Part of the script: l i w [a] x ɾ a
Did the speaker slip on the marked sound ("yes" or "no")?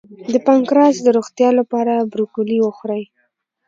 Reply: yes